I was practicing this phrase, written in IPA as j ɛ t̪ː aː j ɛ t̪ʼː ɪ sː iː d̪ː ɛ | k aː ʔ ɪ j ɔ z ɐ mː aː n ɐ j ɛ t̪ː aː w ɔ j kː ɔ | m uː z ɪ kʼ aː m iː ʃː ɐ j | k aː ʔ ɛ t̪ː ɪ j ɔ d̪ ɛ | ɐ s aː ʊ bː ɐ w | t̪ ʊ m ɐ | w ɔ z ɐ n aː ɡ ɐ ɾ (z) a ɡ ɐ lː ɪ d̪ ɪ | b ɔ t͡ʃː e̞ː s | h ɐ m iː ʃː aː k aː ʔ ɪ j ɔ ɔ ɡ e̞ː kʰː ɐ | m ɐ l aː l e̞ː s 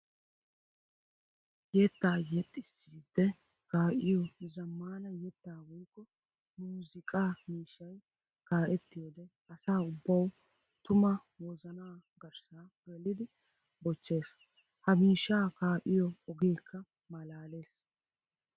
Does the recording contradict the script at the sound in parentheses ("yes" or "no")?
yes